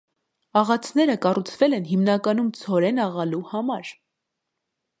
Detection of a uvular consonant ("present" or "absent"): present